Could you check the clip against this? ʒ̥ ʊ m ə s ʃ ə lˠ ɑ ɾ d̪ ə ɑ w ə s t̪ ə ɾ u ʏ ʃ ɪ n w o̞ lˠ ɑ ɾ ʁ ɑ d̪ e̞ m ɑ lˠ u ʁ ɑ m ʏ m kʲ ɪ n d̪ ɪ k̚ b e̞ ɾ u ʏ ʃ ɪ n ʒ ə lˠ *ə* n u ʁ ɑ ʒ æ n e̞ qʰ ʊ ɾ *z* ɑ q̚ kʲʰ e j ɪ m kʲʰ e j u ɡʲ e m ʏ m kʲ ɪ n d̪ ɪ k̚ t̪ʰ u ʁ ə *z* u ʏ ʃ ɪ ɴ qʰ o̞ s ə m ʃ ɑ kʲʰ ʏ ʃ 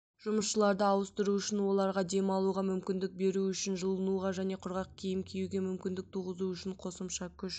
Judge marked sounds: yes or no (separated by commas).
yes, no, yes